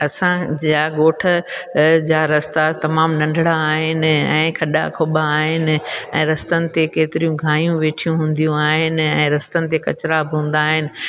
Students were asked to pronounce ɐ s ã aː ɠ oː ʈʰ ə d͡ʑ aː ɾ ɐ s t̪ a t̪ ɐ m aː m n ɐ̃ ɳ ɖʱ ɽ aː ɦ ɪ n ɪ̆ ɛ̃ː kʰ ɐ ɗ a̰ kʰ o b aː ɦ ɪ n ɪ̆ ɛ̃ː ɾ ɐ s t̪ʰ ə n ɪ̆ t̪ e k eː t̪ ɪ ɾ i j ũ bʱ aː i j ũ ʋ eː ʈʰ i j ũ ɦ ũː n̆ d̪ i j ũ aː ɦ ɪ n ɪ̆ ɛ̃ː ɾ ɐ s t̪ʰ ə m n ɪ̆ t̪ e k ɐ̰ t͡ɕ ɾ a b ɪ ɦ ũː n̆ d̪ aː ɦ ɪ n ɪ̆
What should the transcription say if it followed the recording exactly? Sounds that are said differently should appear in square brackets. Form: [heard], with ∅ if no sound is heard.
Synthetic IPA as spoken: ɐ s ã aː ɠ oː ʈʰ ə d͡ʑ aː ɾ ɐ s t̪ a t̪ ɐ m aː m n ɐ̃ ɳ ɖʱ ɽ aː ɦ ɪ n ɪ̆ ɛ̃ː kʰ ɐ ɗ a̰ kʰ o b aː ɦ ɪ n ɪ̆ ɛ̃ː ɾ ɐ s [t̪] ə n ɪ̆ t̪ e k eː t̪ ɪ ɾ i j ũ [ɡʱ] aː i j ũ ʋ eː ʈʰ i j ũ ɦ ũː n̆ d̪ i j ũ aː ɦ ɪ n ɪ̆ ɛ̃ː ɾ ɐ s [t̪] ə [∅] n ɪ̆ t̪ e k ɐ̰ t͡ɕ ɾ a b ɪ ɦ ũː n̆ d̪ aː ɦ ɪ n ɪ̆